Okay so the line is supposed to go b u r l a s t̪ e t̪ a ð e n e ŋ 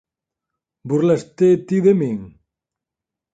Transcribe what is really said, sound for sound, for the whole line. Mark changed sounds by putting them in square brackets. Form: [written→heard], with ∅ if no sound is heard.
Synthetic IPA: b u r l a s t̪ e t̪ [a→i] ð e [n→m] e ŋ